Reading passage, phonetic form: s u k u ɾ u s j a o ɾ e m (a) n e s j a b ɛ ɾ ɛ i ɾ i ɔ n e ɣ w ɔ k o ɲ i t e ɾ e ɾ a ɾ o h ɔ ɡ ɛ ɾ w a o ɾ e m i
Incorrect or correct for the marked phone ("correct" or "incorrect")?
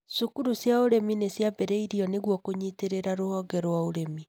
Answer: incorrect